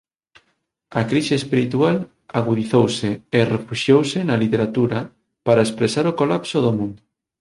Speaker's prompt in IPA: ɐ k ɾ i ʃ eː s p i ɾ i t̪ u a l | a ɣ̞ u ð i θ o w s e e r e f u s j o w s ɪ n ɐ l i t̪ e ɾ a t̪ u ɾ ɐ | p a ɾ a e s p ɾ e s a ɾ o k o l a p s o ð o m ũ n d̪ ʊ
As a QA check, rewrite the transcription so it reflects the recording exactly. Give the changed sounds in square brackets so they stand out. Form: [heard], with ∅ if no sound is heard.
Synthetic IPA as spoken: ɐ k ɾ i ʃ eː s p i ɾ i t̪ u a l | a ɣ̞ u ð i θ o w s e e r e f u [ʃ] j o w s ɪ n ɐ l i t̪ e ɾ a t̪ u ɾ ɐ | p a ɾ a e s p ɾ e s a ɾ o k o l a p s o ð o m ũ n d̪ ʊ